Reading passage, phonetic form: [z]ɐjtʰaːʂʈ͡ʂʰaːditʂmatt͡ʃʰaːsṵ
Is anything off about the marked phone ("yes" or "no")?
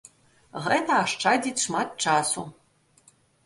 yes